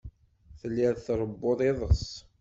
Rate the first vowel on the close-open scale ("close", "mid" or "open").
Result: mid